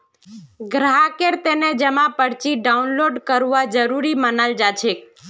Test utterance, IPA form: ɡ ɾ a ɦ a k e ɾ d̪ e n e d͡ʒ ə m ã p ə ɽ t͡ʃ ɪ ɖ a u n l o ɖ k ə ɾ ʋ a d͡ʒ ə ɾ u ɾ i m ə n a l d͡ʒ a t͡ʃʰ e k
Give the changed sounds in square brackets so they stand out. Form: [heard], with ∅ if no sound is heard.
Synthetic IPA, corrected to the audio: ɡ ɾ a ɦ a k e ɾ [t̪] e n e d͡ʒ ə m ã p ə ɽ t͡ʃ [i] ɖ a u n l o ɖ k ə ɾ ʋ a d͡ʒ ə ɾ u ɾ i m ə n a l d͡ʒ a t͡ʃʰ e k